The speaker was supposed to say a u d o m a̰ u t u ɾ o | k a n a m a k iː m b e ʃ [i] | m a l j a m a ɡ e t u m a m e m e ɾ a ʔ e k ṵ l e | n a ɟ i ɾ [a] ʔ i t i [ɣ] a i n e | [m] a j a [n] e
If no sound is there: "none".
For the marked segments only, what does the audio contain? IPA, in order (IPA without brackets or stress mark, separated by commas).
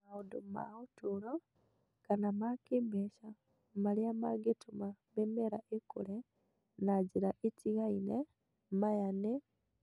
a, a, ɣ, m, n